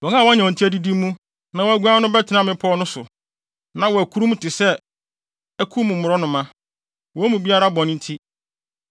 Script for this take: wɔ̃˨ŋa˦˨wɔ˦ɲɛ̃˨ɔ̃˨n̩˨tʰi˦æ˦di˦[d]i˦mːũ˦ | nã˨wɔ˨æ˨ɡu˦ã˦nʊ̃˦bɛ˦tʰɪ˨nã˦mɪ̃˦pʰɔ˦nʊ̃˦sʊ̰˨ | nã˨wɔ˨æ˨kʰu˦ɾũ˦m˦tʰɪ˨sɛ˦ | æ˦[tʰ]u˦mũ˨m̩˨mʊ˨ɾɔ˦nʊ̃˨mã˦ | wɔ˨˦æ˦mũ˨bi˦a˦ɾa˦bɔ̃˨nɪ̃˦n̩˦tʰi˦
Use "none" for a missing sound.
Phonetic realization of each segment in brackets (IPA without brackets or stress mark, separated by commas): d, kʰ